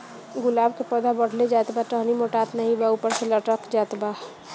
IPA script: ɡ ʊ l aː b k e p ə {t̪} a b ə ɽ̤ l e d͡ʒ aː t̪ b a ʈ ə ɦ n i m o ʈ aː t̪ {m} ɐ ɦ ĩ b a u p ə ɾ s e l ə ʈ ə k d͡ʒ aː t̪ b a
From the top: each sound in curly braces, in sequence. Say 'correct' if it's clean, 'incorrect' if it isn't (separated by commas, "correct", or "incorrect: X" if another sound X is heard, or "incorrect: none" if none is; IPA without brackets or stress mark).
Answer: incorrect: d̪, incorrect: n